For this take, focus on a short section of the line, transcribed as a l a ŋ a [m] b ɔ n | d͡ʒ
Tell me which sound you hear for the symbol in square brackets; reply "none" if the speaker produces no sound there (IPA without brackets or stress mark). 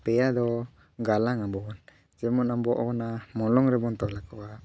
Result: m